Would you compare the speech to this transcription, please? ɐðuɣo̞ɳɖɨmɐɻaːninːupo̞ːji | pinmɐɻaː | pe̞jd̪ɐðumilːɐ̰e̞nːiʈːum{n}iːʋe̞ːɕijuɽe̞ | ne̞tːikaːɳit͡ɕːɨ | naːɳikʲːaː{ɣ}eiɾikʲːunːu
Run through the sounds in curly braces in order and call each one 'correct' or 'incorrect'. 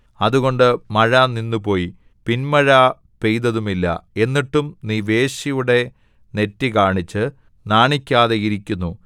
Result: correct, incorrect: ð

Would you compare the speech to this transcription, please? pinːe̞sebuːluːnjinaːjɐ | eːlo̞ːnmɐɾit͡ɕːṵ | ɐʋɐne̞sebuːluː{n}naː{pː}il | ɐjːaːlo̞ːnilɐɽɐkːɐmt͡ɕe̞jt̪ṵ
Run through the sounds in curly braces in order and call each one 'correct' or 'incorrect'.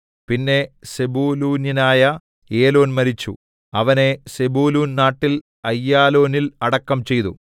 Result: correct, incorrect: ʈː

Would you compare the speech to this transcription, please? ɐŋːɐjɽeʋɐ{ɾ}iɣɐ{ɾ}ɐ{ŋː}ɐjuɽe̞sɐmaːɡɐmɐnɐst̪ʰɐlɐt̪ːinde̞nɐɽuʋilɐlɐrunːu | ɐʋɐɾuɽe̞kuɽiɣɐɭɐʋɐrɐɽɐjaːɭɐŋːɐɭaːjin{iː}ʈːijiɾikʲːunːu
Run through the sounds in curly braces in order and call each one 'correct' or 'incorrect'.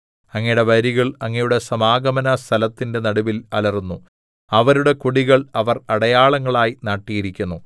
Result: correct, incorrect: ɭ, correct, incorrect: aː

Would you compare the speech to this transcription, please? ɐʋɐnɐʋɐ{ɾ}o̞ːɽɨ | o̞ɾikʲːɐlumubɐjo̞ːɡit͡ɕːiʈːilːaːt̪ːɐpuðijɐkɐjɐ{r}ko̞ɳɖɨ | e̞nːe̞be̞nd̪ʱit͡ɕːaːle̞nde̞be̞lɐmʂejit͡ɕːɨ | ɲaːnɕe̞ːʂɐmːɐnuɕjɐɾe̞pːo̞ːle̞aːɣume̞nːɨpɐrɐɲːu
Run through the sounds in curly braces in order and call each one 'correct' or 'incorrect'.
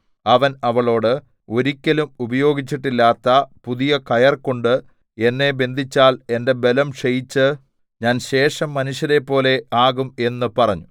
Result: incorrect: ɭ, correct

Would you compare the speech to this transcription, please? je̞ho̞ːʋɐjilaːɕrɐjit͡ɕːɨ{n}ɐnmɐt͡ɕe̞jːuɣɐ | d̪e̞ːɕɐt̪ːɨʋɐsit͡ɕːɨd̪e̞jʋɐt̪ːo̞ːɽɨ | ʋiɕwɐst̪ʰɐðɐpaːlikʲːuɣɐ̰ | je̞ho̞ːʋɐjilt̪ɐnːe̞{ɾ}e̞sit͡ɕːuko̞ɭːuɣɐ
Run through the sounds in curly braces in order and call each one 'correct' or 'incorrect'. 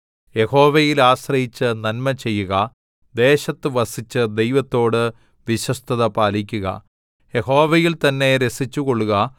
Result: correct, correct

